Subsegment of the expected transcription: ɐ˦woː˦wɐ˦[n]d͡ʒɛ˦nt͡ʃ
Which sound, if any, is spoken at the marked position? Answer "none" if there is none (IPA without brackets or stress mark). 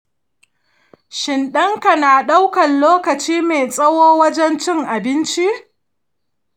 none